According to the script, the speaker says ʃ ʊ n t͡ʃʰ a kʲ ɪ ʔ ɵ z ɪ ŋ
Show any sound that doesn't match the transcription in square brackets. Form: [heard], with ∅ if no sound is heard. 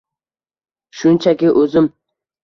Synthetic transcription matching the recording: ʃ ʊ n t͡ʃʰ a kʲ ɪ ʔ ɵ z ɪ [m]